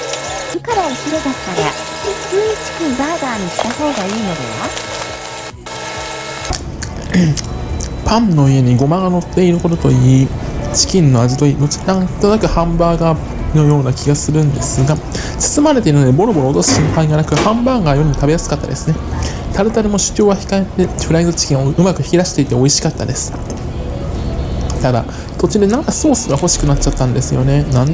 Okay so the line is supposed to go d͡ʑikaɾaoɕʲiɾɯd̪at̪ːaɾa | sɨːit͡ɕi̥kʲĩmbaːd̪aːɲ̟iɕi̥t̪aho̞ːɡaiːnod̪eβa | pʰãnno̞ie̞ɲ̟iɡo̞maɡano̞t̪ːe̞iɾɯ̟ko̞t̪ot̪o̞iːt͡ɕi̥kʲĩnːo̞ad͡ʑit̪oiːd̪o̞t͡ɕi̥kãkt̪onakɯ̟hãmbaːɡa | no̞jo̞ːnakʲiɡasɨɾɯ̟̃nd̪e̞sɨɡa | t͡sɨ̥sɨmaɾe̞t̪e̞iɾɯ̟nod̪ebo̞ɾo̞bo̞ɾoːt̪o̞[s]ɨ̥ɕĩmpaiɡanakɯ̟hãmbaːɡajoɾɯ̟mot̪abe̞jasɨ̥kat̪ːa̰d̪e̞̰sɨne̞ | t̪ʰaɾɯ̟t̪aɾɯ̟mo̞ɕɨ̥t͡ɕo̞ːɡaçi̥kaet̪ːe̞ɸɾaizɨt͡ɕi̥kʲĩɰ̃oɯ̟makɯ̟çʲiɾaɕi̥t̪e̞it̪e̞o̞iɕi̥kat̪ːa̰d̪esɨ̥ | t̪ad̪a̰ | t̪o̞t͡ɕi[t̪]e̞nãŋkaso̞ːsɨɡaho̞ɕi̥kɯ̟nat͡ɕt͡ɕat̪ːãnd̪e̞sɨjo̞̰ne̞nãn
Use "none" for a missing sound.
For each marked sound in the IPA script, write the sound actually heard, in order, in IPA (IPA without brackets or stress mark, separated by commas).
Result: s, d̪